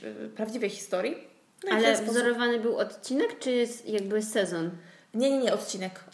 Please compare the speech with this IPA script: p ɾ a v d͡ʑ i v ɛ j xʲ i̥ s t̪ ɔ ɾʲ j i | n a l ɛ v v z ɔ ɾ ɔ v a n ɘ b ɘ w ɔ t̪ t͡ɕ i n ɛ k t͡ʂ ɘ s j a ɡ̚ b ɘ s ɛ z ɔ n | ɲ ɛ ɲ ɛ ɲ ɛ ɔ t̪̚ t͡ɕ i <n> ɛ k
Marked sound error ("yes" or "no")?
no